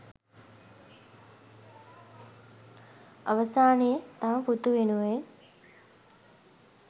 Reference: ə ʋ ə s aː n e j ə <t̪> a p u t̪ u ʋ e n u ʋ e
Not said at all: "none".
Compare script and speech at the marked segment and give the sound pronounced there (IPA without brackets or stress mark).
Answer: t̪